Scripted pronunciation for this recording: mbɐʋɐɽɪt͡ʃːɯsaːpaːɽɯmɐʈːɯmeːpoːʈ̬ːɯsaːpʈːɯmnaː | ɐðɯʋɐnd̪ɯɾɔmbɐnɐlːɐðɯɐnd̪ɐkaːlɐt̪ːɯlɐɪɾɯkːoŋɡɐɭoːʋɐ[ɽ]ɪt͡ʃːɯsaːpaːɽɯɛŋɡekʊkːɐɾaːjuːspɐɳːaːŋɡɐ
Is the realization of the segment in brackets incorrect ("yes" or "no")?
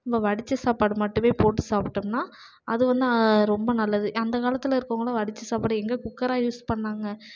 no